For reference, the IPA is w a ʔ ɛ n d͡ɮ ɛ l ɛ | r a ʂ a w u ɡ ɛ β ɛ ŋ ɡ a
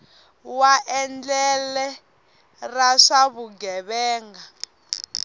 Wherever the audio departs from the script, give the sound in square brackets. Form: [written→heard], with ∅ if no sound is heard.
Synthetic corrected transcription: w a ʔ ɛ n d͡ɮ ɛ l ɛ | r a ʂ a [w→β] u ɡ ɛ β [ɛ→ɛː] ŋ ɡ a